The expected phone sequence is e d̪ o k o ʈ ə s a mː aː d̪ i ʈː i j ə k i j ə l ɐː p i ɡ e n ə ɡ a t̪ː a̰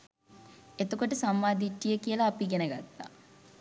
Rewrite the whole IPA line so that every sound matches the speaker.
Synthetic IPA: e t̪ o k o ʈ ə s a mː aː d̪ i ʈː i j ə k i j ə l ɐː p i ɡ e n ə ɡ a t̪ː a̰